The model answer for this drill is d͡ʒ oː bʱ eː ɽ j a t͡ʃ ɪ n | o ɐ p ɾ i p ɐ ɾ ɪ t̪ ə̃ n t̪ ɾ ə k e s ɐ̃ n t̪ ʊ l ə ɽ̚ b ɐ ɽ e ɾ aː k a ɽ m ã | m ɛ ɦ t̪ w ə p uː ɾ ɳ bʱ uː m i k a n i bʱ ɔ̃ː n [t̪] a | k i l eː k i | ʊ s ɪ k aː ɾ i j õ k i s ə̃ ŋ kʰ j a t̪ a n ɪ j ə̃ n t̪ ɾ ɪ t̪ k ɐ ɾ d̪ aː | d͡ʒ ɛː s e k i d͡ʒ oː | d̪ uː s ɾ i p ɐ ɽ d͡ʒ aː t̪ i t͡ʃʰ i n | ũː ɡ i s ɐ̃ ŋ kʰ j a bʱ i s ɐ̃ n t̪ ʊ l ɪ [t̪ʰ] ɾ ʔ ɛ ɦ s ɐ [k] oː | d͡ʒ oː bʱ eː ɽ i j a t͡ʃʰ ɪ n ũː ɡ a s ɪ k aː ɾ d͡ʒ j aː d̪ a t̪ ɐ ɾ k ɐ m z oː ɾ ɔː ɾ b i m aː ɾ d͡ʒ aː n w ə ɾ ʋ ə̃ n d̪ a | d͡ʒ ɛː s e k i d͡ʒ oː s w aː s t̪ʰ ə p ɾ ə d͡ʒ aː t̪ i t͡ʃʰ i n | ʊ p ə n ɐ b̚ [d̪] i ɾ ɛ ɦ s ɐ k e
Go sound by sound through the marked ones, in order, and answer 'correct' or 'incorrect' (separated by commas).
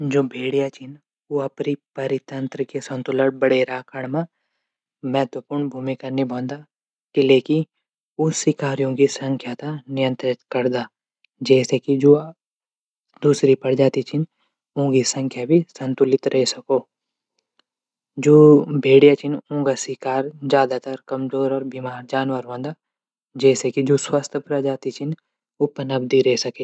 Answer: incorrect, incorrect, correct, correct